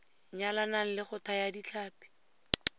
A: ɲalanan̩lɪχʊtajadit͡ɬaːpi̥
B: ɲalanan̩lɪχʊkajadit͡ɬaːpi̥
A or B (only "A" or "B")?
A